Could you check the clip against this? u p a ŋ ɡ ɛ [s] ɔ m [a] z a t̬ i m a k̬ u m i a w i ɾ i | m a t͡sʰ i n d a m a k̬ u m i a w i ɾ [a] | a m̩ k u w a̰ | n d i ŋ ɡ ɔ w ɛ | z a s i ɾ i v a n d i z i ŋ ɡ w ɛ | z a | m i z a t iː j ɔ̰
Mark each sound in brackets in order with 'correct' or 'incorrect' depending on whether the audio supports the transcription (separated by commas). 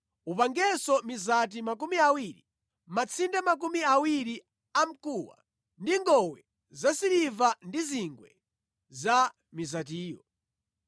correct, incorrect, incorrect